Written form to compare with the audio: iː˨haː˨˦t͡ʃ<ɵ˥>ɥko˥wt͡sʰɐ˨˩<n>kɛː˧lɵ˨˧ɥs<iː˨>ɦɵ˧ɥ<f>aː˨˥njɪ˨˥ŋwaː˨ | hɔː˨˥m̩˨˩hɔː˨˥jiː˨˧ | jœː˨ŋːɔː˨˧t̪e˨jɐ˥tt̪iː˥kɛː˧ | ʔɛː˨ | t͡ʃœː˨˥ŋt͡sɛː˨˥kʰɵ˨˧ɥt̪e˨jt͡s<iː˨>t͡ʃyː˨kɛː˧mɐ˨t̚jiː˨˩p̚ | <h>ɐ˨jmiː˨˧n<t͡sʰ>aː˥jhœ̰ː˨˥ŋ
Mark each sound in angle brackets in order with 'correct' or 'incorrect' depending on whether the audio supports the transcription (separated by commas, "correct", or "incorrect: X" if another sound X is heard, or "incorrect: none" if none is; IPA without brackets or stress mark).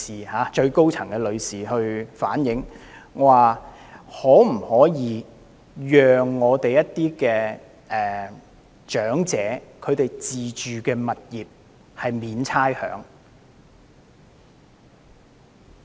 incorrect: ɵ˧, incorrect: ŋ, correct, correct, correct, correct, correct